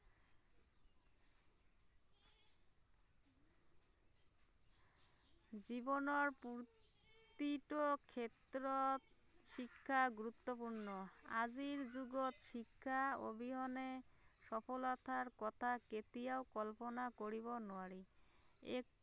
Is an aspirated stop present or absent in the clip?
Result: present